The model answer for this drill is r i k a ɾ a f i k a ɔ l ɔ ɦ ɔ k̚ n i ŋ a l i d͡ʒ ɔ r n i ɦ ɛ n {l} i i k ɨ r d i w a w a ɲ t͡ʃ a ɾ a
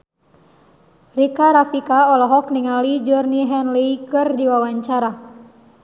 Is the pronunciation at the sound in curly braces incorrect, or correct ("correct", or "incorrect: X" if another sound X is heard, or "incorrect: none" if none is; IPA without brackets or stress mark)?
correct